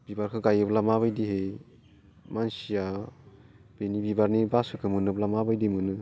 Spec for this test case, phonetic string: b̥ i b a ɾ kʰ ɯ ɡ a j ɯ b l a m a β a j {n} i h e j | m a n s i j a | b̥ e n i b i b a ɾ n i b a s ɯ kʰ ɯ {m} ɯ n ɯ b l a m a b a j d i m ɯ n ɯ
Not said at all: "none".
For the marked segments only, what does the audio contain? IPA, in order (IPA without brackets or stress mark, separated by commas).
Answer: d, m